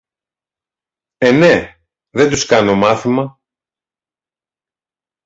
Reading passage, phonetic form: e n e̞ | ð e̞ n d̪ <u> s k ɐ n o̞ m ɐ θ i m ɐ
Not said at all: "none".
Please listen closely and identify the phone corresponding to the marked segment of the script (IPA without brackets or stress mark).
u